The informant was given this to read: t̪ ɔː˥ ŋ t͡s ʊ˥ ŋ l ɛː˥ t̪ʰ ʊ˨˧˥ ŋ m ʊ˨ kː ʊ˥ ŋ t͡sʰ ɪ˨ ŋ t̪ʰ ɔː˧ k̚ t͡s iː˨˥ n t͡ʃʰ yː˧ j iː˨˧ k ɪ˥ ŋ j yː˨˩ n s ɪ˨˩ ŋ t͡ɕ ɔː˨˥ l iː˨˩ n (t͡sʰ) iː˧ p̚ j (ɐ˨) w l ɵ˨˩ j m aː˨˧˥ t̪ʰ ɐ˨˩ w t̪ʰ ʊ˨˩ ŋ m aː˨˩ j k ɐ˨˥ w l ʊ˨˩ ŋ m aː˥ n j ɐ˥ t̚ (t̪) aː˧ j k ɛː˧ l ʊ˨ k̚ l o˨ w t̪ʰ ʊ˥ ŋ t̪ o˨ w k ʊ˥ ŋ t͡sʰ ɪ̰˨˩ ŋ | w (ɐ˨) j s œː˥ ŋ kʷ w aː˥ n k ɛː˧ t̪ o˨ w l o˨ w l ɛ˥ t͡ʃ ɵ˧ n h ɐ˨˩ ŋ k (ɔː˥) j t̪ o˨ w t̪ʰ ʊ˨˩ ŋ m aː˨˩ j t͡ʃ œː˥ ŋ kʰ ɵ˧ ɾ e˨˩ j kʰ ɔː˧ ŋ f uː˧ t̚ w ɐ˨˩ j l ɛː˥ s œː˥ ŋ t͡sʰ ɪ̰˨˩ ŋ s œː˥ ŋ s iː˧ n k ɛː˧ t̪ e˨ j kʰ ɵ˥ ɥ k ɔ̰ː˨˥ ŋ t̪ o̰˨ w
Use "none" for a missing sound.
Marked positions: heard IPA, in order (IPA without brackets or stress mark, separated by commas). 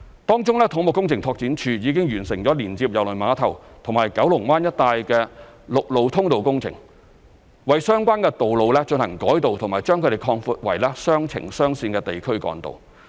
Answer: t͡s, ɐ˨, t̪, ɐ˨, ɔː˨˥